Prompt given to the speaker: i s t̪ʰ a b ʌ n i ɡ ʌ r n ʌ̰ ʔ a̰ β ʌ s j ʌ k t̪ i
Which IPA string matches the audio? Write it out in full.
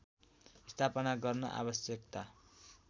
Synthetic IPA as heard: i s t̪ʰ a p ʌ n a ɡ ʌ r n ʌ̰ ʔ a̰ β ʌ s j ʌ k t̪ a